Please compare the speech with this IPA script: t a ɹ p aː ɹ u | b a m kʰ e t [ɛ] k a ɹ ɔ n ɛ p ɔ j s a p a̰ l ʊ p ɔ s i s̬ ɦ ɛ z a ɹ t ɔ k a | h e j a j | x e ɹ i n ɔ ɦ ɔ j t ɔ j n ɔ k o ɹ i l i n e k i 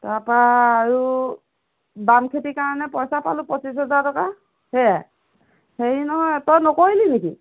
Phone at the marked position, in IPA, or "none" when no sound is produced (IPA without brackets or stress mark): i